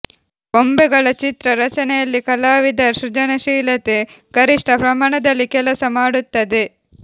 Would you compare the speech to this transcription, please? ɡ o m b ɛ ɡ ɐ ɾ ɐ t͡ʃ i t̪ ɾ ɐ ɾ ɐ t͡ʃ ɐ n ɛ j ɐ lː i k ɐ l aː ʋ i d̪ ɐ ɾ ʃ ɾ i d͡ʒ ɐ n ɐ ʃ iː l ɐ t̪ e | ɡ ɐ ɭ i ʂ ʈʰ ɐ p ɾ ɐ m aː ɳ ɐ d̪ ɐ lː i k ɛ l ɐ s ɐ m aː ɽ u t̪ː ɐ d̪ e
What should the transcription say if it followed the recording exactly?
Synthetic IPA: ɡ o m b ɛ ɡ ɐ ɭ ɐ t͡ʃ i t̪ ɾ ɐ ɾ ɐ t͡ʃ ɐ n ɛ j ɐ lː i k ɐ l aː ʋ i d̪ ɐ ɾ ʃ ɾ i d͡ʒ ɐ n ɐ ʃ iː l ɐ t̪ e | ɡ ɐ ɾ i ʂ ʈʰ ɐ p ɾ ɐ m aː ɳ ɐ d̪ ɐ lː i k ɛ l ɐ s ɐ m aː ɽ u t̪ː ɐ d̪ e